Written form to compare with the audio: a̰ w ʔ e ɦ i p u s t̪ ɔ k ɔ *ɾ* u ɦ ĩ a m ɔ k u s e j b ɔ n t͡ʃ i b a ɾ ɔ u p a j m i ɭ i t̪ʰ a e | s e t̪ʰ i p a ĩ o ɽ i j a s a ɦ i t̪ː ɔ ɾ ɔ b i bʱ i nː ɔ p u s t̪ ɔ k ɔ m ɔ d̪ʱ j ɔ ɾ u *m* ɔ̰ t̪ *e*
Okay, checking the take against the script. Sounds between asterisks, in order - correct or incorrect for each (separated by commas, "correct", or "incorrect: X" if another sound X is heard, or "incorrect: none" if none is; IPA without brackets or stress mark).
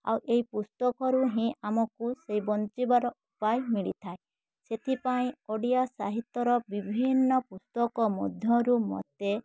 correct, correct, correct